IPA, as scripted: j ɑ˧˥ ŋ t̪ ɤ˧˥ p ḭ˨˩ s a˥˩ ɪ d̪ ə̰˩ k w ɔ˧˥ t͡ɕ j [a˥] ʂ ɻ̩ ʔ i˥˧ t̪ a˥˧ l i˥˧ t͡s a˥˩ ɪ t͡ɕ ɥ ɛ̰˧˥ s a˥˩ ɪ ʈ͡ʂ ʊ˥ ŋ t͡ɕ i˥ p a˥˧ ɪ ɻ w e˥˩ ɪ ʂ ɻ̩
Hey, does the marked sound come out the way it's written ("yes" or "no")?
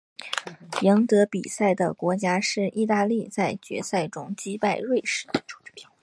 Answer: yes